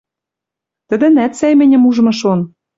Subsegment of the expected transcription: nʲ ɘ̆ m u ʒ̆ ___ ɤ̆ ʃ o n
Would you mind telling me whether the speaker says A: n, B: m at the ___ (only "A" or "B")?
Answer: B